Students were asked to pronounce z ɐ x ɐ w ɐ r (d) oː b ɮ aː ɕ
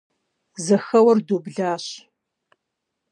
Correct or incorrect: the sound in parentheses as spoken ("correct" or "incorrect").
correct